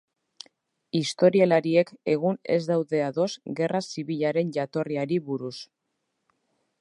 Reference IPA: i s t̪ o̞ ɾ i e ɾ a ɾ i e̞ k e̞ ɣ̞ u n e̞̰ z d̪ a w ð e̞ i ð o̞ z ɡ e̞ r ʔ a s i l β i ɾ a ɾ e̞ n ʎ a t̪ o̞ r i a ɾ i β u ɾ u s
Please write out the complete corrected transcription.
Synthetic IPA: i s t̪ o̞ ɾ i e l a ɾ i e̞ k e̞ ɣ̞ u n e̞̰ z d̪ a w ð e̞ a ð o̞ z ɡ e̞ r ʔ a s i β i ʎ a ɾ e̞ n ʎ a t̪ o̞ r i a ɾ i β u ɾ u s